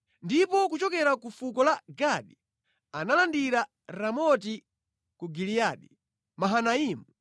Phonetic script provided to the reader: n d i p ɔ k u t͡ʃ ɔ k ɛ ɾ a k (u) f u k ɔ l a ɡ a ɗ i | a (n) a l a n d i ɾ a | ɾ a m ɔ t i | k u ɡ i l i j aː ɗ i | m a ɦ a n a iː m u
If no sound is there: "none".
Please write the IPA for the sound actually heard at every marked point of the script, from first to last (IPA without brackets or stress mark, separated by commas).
u, n